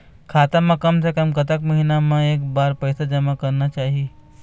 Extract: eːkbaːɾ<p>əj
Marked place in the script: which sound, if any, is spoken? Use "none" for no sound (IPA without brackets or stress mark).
p